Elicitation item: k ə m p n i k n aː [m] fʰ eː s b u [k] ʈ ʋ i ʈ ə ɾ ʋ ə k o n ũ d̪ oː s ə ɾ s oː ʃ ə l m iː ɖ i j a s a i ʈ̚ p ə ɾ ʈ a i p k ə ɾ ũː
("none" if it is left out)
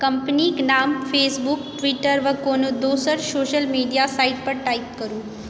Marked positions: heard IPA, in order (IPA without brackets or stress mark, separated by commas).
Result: m, k